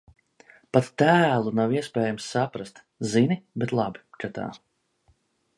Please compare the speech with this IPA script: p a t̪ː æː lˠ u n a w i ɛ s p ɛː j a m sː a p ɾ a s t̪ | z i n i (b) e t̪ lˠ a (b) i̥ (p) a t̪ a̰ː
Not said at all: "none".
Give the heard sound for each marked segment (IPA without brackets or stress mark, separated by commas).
b, b, k